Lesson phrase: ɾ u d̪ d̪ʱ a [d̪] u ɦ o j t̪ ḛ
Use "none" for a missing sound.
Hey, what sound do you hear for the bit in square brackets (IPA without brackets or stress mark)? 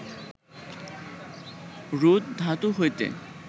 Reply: t̪